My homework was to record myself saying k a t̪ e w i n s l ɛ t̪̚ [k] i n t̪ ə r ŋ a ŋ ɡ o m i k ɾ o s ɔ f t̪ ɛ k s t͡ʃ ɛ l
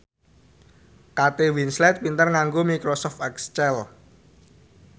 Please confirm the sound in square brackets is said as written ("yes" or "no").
no